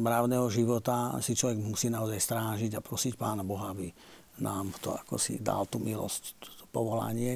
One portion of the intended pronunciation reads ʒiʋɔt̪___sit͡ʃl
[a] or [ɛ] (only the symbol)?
a